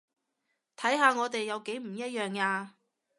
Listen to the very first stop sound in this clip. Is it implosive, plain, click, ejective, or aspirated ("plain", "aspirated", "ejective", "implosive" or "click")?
aspirated